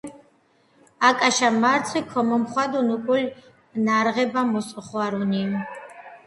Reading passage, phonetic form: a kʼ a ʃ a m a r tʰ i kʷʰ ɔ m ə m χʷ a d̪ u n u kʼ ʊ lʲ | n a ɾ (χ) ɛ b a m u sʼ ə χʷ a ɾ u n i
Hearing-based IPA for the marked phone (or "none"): ʁ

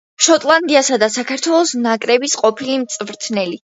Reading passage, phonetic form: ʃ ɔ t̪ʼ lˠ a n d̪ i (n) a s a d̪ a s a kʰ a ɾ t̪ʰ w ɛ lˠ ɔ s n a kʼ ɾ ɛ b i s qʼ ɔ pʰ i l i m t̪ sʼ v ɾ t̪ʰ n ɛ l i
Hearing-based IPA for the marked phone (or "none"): none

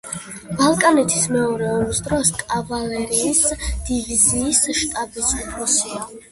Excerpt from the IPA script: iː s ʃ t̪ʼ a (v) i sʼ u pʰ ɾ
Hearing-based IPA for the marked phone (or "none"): b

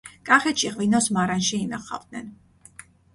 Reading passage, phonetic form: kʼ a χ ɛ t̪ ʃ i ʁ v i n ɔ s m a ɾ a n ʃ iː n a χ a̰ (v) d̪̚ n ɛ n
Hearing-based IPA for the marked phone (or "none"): v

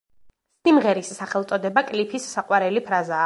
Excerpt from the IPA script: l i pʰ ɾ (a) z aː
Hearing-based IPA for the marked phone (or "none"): a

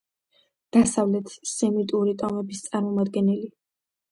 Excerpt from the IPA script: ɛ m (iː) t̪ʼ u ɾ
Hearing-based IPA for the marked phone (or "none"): i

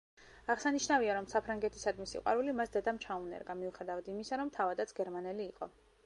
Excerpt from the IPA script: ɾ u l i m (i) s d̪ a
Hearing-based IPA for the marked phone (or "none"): a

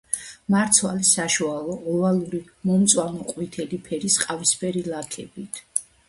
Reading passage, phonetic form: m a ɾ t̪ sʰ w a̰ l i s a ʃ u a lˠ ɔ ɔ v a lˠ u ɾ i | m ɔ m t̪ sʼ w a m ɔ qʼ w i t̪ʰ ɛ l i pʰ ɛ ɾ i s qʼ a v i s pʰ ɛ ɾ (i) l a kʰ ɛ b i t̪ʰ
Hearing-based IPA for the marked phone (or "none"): i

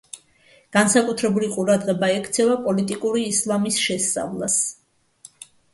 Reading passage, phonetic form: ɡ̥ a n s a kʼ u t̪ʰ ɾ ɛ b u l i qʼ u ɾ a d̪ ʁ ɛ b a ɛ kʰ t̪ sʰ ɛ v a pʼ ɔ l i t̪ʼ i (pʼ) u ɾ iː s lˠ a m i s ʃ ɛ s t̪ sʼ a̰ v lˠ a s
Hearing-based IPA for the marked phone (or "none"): kʼ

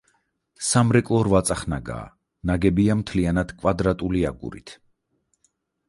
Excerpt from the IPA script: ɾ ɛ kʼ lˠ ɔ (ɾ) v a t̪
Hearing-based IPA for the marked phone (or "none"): ɾ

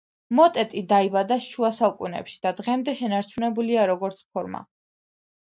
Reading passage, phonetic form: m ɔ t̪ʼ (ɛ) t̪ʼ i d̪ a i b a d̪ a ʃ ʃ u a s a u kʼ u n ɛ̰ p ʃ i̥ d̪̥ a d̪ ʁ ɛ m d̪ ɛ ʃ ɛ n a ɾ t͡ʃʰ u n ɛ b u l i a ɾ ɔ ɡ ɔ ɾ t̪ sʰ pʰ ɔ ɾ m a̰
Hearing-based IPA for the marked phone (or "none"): ɛ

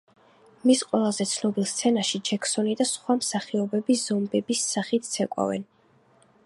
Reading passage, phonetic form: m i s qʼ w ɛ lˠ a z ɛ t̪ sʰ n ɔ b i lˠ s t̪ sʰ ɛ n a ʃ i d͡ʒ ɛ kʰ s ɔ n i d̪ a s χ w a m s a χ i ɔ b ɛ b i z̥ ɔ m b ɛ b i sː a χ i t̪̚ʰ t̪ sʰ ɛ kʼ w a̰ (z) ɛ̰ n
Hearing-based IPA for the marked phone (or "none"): v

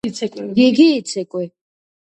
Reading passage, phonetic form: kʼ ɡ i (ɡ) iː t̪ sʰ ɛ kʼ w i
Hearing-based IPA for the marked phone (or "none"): ɡ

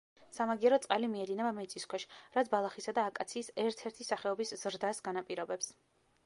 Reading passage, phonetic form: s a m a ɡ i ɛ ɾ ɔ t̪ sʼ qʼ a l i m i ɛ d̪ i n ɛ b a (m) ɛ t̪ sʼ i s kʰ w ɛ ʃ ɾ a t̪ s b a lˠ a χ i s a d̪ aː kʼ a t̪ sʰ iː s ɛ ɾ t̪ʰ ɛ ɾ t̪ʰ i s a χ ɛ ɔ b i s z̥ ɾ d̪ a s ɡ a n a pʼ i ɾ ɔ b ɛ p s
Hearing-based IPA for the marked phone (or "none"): m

